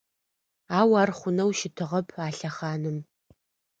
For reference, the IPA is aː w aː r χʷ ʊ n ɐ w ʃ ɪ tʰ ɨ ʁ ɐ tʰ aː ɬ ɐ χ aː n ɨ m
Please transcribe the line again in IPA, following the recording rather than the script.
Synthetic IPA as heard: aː w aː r χʷ ʊ n ɐ w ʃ ɪ tʰ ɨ ʁ ɐ pʰ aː ɬ ɐ χ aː n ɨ m